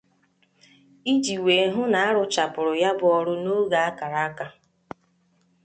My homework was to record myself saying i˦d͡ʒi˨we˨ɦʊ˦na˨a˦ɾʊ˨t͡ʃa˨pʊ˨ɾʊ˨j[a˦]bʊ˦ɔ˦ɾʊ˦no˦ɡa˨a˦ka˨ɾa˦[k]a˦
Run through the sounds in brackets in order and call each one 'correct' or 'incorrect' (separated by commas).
correct, correct